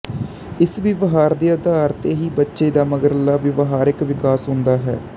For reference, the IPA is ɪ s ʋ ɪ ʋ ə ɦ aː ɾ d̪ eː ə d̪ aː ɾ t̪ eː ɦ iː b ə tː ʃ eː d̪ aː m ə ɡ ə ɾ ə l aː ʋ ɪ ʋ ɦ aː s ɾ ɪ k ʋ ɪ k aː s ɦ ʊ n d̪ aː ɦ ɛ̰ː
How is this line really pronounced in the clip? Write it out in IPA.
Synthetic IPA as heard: ɪ s ʋ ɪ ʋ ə ɦ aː ɾ d̪ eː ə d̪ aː ɾ t̪ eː ɦ iː b ə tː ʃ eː d̪ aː m ə ɡ ə ɾ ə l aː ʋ ɪ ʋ ɦ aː ɾ ɪ k ʋ ɪ k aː s ɦ ʊ n d̪ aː ɦ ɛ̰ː